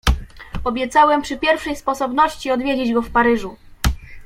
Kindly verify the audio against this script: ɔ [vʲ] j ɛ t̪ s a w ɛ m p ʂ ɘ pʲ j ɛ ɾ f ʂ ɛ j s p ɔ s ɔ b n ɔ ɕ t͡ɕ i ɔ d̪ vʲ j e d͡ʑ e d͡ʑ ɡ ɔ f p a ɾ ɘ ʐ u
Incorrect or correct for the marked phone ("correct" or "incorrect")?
incorrect